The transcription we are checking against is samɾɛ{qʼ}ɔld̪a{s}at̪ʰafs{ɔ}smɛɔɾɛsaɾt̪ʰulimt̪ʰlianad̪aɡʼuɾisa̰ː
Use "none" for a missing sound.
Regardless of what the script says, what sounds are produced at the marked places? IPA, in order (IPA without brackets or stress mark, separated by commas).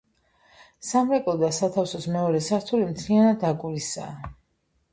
kʼ, s, ɔ